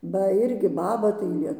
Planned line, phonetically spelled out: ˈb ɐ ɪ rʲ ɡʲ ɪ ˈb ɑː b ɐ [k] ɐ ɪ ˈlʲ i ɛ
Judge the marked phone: incorrect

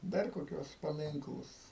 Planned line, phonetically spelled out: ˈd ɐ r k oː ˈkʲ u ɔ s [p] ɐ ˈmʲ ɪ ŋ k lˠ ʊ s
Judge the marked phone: correct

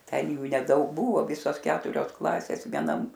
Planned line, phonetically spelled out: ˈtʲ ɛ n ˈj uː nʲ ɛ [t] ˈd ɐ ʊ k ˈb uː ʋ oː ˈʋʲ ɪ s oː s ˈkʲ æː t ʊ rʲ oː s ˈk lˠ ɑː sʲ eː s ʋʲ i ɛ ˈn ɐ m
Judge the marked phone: incorrect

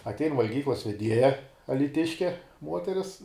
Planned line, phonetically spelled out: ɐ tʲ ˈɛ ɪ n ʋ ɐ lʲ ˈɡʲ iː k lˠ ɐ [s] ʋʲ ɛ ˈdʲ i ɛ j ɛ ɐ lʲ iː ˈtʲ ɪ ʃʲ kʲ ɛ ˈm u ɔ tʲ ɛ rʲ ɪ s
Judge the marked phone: correct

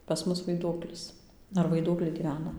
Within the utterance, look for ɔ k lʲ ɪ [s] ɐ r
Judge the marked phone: correct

